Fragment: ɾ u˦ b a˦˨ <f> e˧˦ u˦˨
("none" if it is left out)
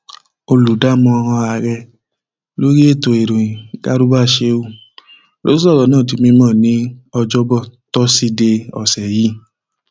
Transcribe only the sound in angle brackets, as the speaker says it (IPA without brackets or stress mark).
ʃ